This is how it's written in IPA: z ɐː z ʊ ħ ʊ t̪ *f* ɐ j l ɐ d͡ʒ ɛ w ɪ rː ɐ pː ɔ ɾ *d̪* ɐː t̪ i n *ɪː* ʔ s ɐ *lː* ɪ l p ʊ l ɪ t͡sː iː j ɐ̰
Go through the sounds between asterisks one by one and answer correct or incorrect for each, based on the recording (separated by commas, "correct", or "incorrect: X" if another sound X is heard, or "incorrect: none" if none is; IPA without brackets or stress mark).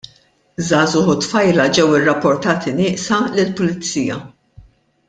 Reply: correct, incorrect: t̪, correct, incorrect: l